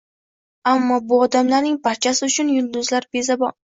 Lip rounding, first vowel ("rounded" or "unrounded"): unrounded